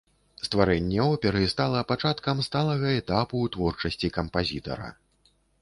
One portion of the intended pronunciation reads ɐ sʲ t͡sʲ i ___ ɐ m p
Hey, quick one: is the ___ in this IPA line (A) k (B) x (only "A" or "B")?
A